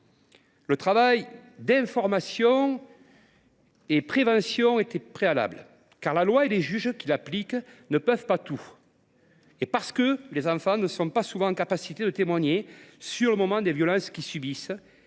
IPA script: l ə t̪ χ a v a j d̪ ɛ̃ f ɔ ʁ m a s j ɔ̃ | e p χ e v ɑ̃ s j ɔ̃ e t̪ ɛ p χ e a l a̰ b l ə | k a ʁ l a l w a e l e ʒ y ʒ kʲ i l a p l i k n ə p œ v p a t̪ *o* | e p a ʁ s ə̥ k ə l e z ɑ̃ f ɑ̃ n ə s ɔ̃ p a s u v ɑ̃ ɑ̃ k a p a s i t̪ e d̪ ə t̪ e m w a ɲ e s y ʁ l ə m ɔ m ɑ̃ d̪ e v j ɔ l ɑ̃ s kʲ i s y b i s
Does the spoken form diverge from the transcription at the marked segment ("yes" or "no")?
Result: yes